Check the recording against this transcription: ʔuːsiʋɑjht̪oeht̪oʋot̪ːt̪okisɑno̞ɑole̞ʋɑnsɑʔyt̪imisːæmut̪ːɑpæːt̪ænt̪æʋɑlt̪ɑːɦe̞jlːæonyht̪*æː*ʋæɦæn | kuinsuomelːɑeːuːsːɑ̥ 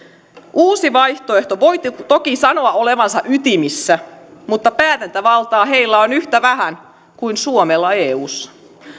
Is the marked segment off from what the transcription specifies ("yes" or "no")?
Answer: yes